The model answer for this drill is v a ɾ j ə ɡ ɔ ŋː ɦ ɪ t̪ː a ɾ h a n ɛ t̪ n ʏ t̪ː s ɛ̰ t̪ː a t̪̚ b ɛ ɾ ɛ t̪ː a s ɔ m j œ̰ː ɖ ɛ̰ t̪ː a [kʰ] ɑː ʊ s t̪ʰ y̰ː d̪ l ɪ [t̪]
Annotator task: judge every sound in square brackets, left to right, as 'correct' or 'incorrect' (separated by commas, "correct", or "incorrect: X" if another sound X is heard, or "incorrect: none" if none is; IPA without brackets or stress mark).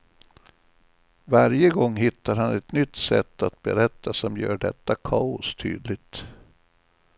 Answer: correct, correct